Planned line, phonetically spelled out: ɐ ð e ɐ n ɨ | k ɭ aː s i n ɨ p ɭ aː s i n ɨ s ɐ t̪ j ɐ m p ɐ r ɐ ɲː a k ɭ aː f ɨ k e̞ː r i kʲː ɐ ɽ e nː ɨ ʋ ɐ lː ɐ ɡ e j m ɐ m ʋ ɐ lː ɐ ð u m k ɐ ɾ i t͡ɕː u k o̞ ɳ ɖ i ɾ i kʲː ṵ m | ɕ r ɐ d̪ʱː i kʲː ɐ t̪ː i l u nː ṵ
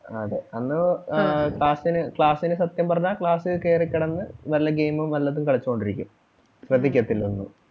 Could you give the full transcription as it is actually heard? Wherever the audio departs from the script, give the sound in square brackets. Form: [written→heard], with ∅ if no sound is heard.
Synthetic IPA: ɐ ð e ɐ [n→nː] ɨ | k ɭ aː s i n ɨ [p→k] ɭ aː s i n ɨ s ɐ t̪ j ɐ m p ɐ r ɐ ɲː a k ɭ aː [f→s] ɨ k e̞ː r i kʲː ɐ ɽ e nː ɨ ʋ ɐ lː ɐ ɡ e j m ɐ m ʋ ɐ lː ɐ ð u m k ɐ [ɾ→ɭ] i t͡ɕː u k o̞ ɳ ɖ i ɾ i kʲː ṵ m | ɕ r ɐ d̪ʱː i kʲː ɐ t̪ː i l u nː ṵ